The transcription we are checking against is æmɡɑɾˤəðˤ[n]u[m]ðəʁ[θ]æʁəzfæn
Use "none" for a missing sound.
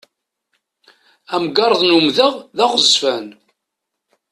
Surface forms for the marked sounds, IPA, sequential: n, m, ð

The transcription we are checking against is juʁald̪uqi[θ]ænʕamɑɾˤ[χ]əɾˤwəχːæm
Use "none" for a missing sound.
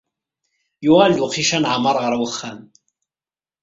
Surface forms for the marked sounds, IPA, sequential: ʃ, ʁ

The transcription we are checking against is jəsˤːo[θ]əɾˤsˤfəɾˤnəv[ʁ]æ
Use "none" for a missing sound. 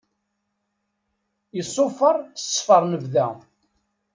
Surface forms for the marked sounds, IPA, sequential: f, ð

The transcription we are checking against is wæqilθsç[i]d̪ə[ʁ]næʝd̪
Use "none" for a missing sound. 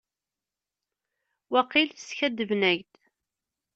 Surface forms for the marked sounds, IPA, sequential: æ, v

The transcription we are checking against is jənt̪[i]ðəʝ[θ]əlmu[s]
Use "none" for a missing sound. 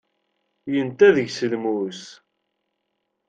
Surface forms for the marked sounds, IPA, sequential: æ, s, s

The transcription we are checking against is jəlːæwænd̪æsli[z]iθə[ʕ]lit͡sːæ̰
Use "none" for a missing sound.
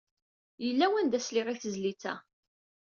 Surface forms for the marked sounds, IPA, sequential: ʁ, z

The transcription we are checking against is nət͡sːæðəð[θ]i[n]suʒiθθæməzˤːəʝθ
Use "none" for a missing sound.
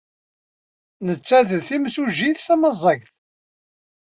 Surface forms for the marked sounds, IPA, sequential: θ, m

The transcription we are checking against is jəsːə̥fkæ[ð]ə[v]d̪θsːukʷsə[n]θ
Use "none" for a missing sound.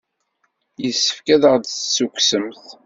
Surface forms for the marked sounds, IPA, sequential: ð, ʁ, m

